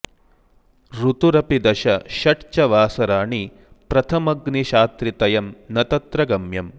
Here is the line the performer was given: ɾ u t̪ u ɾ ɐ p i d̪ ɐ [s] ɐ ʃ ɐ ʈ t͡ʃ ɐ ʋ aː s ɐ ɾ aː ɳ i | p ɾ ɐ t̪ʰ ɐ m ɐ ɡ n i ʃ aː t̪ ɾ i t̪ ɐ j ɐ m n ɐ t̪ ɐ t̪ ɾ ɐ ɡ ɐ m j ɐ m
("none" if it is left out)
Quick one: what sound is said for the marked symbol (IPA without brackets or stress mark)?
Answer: ʃ